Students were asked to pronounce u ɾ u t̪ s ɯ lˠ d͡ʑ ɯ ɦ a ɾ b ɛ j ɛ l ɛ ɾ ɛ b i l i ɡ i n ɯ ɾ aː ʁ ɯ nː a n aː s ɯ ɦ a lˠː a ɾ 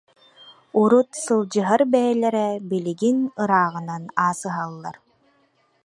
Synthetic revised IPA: u ɾ u t̪ s ɯ lˠ d͡ʑ ɯ ɦ a ɾ b ɛ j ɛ l ɛ ɾ ɛ b i l i ɡ i n ɯ ɾ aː ʁ ɯ n a n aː s ɯ ɦ a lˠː a ɾ